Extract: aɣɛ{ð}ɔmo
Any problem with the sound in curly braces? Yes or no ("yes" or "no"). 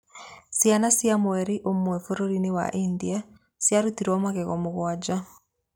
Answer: yes